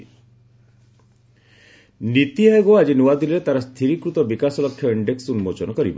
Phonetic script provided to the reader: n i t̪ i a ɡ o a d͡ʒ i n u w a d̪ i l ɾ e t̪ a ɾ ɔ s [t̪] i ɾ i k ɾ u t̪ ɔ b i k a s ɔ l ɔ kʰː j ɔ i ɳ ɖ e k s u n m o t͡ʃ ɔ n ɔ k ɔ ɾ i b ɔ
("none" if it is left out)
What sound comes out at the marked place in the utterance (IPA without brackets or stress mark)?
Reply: t̪ʰ